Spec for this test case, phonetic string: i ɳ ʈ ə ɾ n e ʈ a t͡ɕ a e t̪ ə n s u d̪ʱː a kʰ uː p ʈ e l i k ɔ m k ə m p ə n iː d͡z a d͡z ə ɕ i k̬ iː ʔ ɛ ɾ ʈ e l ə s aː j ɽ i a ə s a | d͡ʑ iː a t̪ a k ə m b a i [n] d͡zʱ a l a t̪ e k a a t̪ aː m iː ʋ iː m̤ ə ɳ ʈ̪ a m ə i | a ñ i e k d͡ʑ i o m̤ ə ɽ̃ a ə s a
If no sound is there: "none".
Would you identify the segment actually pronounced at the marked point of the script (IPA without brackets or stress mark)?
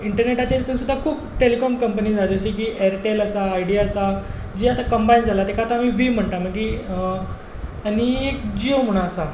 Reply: n